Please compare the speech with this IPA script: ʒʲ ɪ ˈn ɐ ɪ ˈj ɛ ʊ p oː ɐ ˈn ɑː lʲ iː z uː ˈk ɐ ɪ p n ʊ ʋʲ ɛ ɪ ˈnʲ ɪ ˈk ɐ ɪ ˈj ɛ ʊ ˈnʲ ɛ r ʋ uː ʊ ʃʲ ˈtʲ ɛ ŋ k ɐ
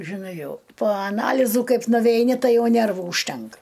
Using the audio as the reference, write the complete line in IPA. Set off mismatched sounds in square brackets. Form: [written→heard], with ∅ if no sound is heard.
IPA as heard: ʒʲ ɪ ˈn ɐ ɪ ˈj ɛ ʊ p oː ɐ ˈn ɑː lʲ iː z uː ˈk ɐ ɪ p n ʊ ʋʲ ɛ ɪ ˈnʲ ɪ [ˈk→ˈt] ɐ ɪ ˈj ɛ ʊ ˈnʲ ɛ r ʋ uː ʊ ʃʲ ˈtʲ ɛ ŋ k ɐ